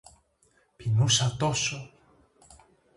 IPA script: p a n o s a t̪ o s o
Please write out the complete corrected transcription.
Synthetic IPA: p i n u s a t̪ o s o